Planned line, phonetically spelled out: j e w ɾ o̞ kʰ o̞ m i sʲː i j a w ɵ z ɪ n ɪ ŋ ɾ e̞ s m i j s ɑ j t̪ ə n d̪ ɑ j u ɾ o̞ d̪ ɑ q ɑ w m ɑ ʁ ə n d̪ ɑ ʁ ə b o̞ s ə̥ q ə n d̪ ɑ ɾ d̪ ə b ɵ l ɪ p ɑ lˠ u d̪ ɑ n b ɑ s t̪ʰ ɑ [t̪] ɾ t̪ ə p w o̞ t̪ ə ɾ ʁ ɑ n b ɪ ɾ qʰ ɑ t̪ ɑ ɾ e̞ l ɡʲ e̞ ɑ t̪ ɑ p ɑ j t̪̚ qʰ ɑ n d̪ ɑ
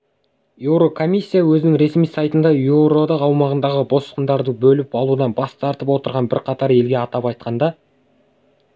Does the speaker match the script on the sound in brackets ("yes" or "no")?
no